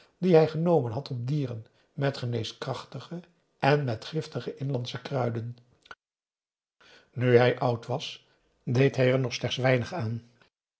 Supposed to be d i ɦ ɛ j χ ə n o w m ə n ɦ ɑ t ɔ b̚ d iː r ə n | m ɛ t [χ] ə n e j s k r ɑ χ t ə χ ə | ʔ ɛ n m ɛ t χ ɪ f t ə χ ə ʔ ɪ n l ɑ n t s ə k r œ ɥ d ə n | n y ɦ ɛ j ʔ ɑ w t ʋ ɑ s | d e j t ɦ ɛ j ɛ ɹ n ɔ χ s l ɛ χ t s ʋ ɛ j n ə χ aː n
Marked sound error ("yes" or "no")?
no